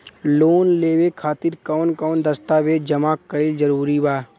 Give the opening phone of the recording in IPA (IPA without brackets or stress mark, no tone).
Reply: l